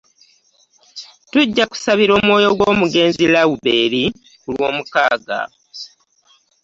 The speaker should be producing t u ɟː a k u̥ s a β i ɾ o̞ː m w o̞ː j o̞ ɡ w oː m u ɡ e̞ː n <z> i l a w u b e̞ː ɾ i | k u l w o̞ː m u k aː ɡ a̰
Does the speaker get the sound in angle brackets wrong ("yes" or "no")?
no